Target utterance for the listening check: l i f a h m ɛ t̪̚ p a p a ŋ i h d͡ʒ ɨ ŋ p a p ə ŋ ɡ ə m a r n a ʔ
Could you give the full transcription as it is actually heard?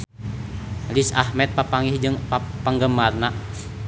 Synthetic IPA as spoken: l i s a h m ɛ t̪̚ p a p a ŋ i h d͡ʒ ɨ ŋ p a p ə ŋ ɡ ə m a r n a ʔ